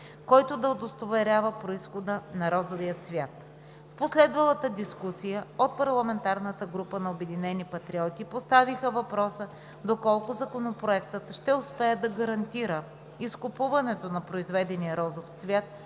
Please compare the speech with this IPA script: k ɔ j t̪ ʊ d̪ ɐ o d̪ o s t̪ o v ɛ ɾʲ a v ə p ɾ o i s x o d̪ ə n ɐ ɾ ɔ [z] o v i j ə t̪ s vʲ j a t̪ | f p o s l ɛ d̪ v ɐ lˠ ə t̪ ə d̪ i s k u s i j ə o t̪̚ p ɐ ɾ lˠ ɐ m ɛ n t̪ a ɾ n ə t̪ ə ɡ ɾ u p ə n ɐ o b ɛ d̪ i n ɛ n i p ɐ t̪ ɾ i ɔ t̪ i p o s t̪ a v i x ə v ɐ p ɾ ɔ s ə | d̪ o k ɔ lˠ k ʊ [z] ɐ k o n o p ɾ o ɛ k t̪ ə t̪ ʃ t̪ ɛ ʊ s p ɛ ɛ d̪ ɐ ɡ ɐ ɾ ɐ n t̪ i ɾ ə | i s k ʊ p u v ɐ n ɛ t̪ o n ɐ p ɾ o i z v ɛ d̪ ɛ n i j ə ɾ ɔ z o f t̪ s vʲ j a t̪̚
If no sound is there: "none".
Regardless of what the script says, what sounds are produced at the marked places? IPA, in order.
z, z

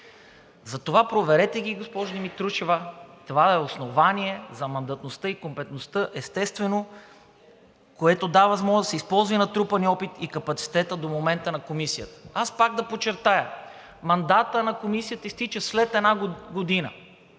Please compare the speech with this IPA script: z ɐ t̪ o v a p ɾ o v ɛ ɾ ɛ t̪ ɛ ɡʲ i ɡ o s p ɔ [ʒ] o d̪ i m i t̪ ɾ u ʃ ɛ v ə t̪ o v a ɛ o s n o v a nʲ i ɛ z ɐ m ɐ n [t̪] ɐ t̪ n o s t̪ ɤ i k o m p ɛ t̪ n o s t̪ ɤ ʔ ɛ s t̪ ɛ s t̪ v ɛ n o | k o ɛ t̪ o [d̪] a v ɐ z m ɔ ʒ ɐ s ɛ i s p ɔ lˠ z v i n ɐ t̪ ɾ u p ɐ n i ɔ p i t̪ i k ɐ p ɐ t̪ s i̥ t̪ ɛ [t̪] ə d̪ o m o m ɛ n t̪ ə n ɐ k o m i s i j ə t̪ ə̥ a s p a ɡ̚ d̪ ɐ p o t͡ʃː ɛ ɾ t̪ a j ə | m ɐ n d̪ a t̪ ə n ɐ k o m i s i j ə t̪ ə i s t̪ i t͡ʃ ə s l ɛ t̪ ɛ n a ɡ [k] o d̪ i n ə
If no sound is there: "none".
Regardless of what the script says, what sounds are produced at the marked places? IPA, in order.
ʒ, d̪, d̪, t̪, ɡ

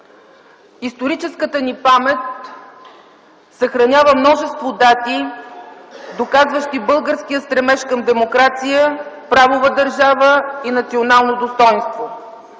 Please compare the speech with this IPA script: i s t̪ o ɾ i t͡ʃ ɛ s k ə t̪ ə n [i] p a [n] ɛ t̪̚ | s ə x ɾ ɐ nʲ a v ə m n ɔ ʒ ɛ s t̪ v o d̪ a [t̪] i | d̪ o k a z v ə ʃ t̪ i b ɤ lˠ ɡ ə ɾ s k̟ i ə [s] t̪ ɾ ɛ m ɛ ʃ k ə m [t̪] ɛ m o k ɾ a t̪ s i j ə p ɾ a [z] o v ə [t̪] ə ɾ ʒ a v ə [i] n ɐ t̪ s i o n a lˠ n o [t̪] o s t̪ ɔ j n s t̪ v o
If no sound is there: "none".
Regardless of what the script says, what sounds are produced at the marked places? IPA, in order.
i, m, t̪, s, d̪, v, d̪, i, d̪

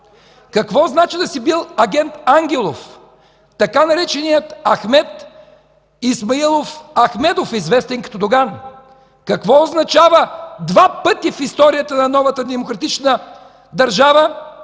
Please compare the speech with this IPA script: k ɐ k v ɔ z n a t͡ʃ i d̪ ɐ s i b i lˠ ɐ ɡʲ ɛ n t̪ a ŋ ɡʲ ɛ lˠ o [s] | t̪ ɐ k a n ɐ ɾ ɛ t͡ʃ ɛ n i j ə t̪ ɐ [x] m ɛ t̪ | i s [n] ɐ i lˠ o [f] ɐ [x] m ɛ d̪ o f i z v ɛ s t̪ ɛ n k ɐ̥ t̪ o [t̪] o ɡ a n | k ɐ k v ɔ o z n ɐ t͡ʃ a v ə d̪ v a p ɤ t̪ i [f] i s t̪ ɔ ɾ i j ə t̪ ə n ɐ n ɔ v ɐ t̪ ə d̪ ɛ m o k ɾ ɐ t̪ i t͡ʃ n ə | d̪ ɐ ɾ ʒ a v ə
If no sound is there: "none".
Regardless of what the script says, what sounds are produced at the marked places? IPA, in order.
f, x, m, f, x, d̪, f

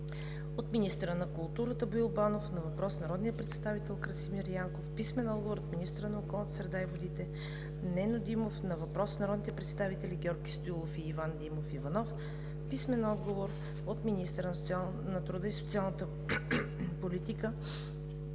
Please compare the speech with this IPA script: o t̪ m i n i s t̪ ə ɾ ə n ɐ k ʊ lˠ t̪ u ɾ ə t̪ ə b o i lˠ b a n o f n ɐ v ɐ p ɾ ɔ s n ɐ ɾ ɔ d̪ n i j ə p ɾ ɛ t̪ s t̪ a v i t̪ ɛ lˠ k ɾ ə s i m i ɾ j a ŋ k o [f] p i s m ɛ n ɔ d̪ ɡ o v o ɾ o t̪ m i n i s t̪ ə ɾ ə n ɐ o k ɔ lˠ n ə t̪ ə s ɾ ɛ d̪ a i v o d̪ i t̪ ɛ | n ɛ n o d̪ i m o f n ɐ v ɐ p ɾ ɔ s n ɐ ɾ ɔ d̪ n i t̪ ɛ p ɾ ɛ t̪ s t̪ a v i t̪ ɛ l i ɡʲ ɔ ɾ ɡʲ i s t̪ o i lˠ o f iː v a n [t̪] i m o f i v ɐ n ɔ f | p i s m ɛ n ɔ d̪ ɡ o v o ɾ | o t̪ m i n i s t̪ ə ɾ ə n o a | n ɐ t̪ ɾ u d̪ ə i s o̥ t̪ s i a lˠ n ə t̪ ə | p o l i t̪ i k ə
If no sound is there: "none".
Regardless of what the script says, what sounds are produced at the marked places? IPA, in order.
f, d̪

